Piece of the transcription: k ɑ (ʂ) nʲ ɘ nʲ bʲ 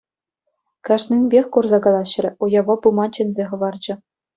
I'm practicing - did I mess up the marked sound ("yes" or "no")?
no